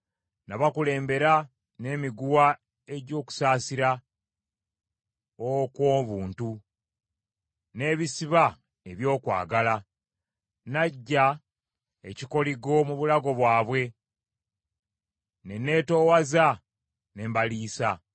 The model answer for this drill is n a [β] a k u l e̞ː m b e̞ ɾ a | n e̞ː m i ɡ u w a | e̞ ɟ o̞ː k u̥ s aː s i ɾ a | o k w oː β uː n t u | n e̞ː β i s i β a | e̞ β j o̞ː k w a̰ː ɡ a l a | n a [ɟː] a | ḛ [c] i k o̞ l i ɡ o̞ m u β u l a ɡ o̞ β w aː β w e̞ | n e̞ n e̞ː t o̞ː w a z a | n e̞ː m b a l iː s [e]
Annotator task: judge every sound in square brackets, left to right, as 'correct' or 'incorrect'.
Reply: correct, correct, correct, incorrect: a

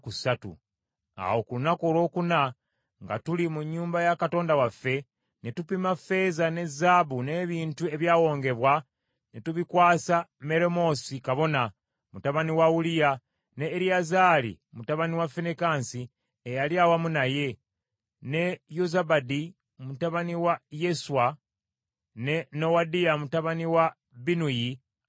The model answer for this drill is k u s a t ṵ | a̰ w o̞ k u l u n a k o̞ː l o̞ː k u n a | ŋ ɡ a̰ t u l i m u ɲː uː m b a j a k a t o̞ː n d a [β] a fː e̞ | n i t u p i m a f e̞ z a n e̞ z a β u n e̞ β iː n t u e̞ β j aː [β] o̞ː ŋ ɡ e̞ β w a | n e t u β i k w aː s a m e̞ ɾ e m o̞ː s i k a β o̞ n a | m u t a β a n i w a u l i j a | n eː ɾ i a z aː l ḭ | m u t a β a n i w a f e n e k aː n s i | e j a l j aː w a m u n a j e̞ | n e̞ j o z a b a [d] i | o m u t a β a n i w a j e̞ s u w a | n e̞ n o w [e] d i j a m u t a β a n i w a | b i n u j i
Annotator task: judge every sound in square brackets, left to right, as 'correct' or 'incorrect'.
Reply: incorrect: w, incorrect: w, correct, incorrect: a

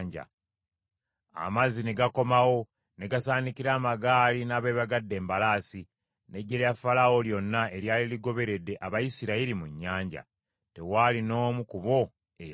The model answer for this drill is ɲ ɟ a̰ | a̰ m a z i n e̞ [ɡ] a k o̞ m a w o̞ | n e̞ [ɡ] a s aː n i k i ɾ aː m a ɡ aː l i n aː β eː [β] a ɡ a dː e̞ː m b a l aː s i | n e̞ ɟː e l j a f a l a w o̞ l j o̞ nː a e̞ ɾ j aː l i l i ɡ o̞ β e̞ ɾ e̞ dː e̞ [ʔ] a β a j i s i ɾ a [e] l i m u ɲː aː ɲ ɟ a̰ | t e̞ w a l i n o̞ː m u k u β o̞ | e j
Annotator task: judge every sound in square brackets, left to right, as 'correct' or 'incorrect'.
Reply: correct, correct, correct, correct, incorrect: i

